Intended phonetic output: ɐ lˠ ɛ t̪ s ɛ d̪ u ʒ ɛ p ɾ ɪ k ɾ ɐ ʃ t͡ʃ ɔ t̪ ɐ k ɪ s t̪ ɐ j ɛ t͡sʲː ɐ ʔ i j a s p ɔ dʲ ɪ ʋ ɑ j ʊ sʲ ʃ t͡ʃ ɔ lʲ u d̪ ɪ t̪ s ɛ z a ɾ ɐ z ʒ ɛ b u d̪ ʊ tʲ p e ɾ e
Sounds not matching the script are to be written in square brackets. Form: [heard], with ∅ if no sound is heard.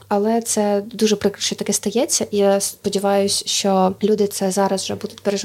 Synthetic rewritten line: ɐ lˠ ɛ t̪ s ɛ d̪ u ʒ ɛ p ɾ ɪ k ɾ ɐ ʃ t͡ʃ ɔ t̪ ɐ k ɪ s t̪ ɐ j ɛ t͡sʲː ɐ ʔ i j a s p ɔ dʲ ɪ ʋ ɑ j ʊ sʲ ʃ t͡ʃ ɔ lʲ u d̪ ɪ t̪ s ɛ z [ɑ] ɾ ɐ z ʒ ɛ b u d̪ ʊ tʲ p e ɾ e